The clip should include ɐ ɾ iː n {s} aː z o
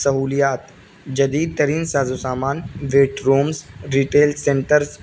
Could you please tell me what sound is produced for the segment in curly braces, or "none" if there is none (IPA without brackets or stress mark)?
s